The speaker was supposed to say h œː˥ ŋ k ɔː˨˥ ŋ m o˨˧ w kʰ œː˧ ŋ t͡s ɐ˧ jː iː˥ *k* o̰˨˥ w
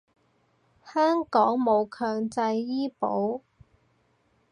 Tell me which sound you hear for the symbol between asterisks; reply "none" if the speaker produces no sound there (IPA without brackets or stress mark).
p